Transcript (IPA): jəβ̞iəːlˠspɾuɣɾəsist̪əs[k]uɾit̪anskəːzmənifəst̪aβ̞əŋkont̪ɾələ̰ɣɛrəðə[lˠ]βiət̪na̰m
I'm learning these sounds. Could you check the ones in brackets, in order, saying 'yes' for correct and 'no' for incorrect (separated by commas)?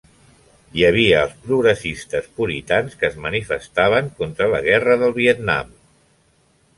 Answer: no, yes